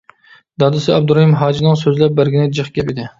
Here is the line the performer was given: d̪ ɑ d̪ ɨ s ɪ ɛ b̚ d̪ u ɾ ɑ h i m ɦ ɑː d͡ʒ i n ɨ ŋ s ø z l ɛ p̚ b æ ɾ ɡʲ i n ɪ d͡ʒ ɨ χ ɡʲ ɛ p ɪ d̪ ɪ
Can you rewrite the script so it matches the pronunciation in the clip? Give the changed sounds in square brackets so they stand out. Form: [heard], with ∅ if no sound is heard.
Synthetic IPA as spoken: d̪ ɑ d̪ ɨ s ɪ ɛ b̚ d̪ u ɾ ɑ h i m ɦ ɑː d͡ʒ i n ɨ ŋ s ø z l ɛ p̚ b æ ɾ ɡʲ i n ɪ d͡ʒ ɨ χ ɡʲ ɛ p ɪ d̪ ɪ

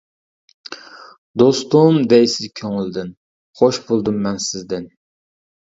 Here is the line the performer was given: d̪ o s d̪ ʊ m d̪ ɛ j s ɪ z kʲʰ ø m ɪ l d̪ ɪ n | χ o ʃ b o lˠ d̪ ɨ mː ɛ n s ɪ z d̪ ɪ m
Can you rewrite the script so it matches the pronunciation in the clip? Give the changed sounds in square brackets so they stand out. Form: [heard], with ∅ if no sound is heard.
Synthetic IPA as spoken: d̪ o s [t̪] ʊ m d̪ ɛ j s ɪ z kʲʰ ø [ŋ] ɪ l d̪ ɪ n | χ o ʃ b o lˠ d̪ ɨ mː ɛ n s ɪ z d̪ ɪ [n]

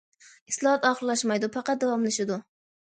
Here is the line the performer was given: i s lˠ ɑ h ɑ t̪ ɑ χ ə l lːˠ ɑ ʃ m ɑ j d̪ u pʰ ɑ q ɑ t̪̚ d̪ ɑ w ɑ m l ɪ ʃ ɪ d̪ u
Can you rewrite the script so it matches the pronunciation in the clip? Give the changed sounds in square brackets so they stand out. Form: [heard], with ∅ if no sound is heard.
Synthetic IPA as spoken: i s lˠ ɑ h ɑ t̪ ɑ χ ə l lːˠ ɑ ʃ m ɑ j d̪ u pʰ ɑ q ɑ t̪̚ d̪ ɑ w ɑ m l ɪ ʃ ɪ d̪ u

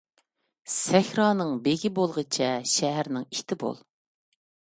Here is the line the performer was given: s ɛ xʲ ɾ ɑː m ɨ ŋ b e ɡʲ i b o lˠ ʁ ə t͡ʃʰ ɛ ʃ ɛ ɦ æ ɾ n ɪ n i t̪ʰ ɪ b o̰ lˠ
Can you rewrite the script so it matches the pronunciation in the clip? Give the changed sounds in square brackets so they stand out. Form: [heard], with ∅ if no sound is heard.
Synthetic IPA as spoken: s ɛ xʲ ɾ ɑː [n] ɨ ŋ b e ɡʲ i b o lˠ ʁ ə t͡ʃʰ ɛ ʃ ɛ ɦ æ ɾ n ɪ [ŋ] i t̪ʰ ɪ b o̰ lˠ

